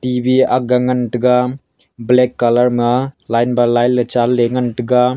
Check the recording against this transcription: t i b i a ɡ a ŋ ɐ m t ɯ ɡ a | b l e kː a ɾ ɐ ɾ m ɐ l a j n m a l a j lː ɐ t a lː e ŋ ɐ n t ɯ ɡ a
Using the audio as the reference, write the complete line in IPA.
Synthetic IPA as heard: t i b i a ɡ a ŋ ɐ n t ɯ ɡ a | b l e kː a l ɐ ɾ m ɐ l a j n b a l a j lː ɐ t͡ʃ a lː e ŋ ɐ n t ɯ ɡ a